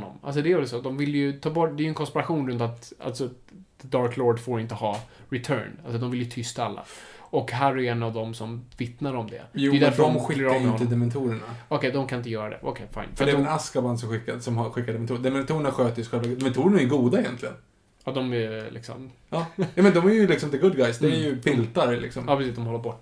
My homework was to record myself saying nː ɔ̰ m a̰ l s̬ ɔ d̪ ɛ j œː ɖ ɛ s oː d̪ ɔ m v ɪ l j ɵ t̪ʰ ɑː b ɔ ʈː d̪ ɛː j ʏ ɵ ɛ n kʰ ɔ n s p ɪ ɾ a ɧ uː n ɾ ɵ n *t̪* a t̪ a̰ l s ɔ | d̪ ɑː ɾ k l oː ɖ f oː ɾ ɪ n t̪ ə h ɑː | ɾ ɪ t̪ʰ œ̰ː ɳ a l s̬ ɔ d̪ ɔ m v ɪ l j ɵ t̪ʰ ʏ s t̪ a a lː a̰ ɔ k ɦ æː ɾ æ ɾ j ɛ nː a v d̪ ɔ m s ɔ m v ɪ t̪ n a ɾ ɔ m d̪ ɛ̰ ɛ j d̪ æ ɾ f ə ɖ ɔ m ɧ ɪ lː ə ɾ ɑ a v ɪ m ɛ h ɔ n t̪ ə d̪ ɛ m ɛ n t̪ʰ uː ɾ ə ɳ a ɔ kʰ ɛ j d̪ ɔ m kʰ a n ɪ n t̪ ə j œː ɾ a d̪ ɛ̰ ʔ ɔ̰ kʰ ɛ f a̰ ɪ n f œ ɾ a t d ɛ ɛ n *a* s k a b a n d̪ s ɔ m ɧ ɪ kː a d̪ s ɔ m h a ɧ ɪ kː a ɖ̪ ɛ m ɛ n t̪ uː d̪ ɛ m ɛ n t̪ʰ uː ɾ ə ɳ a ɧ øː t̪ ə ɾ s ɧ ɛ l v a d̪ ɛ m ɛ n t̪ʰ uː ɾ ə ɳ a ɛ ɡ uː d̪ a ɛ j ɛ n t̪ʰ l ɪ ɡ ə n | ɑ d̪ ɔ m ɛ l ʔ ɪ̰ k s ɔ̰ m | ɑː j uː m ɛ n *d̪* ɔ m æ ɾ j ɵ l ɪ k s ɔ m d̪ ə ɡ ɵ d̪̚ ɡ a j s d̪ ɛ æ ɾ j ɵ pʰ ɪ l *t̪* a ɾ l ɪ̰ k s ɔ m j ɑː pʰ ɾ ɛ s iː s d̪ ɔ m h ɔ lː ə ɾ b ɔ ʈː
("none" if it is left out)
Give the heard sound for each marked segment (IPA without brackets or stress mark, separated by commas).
t̪, a, d̪, t̪